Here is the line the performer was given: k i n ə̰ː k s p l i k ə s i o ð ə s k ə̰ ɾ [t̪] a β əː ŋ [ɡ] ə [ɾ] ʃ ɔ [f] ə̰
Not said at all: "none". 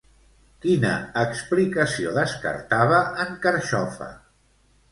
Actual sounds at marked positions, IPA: t̪, k, ɾ, f

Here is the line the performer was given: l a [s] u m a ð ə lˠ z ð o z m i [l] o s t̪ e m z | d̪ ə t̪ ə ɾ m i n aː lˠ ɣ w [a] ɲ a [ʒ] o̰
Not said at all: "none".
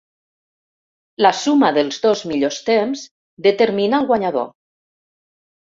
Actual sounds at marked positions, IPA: s, ʎ, a, ð

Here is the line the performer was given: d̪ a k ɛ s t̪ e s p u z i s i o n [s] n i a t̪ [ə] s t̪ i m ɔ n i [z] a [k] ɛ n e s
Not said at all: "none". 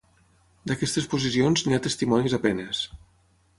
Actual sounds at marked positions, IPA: z, ə, z, p

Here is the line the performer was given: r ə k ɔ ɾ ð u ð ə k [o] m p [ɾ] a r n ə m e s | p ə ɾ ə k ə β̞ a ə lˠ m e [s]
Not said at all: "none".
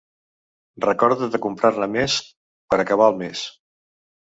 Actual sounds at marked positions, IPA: u, ɾ, s

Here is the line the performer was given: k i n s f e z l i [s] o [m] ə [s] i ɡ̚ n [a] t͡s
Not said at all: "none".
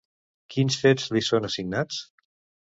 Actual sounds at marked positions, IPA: s, n, s, a

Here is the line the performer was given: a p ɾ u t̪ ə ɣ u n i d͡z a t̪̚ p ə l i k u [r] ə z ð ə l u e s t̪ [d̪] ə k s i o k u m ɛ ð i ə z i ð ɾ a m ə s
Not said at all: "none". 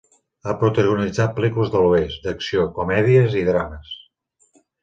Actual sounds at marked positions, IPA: l, d̪

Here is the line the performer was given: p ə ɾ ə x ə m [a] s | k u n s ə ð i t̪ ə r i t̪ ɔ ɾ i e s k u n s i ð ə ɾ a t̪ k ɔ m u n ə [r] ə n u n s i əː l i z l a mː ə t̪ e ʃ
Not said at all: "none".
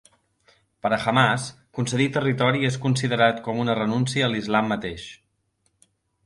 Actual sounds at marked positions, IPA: a, r

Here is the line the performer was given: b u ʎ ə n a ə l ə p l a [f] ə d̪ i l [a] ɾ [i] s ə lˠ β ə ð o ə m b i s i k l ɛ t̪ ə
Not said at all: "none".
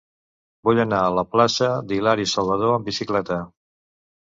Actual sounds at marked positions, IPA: s, a, i

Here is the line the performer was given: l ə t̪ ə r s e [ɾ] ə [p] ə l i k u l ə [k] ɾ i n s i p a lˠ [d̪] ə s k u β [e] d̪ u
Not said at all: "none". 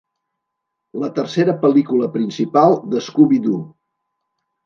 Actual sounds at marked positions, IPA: ɾ, p, p, d̪, i

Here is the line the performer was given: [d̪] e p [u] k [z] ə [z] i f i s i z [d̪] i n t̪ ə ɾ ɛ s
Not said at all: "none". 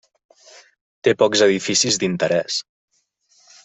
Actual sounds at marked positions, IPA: t̪, ɔ, z, ð, d̪

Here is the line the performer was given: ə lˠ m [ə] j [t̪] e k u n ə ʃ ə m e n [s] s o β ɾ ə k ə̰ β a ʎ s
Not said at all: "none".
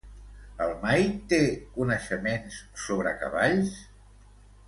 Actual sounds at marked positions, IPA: a, t̪, s

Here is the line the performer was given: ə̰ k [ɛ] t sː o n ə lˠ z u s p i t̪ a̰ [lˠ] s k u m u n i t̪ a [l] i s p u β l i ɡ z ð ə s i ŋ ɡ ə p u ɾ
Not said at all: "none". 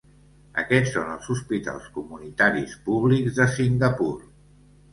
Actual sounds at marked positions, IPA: ɛ, lˠ, ɾ

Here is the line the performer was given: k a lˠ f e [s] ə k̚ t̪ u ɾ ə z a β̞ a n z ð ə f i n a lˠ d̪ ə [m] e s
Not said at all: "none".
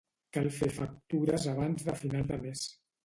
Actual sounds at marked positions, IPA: f, m

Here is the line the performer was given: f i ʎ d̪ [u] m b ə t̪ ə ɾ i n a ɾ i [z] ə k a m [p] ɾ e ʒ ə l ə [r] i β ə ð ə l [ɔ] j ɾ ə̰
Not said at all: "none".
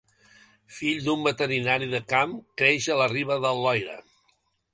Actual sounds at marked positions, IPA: u, ð, k, r, ɔ

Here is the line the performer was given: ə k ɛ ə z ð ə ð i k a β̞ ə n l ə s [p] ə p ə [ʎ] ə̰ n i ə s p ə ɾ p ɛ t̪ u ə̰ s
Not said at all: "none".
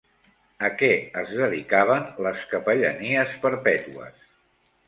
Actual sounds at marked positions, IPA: k, ʎ

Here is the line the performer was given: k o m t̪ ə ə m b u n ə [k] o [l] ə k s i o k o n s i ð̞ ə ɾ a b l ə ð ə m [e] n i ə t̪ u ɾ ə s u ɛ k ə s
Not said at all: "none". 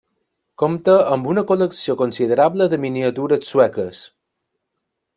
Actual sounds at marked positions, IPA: k, l, i

